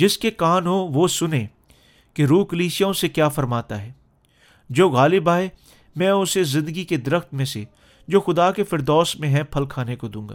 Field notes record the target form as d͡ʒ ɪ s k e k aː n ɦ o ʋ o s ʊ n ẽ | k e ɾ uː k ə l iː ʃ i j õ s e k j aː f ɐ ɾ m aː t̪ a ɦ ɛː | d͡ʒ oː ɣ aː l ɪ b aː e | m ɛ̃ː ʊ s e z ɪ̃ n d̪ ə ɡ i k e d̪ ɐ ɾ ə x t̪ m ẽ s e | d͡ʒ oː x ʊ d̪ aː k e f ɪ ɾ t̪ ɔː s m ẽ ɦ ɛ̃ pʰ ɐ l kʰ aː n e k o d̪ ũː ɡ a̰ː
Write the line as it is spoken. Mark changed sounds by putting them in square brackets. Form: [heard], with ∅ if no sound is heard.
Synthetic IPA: d͡ʒ ɪ s k e k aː n ɦ o ʋ o s ʊ n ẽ | k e ɾ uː k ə l iː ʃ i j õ s e k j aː f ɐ ɾ m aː t̪ a ɦ ɛː | d͡ʒ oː ɣ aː l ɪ b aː e | m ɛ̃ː ʊ s e z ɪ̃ n d̪ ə ɡ i k e d̪ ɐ ɾ ə x t̪ m ẽ s e | d͡ʒ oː x ʊ d̪ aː k e f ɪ ɾ [d̪] ɔː s m ẽ ɦ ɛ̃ pʰ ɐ l kʰ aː n e k o d̪ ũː ɡ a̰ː